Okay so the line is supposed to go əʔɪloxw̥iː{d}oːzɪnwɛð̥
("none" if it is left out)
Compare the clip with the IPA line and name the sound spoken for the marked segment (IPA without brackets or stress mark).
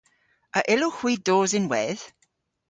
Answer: d